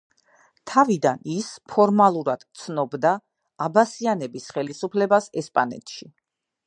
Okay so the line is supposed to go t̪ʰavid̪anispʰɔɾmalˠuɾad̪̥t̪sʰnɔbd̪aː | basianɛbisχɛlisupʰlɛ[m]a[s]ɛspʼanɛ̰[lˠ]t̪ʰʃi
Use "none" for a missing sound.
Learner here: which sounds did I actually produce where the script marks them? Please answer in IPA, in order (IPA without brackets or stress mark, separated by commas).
b, s, none